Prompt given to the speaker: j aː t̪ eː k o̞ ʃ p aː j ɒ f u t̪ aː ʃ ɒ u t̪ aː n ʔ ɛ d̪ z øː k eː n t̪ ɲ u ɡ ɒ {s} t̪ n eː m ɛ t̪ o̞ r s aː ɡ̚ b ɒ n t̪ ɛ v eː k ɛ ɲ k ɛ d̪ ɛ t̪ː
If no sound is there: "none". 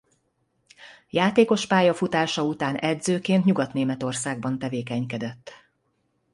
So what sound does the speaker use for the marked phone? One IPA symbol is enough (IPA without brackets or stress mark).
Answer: none